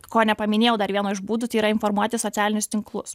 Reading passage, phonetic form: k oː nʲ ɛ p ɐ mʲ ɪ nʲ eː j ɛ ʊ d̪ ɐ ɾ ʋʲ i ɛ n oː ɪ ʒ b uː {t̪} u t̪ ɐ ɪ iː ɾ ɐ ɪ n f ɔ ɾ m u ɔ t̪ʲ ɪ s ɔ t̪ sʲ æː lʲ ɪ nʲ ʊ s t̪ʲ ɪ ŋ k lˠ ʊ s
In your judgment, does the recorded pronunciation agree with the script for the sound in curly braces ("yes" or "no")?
no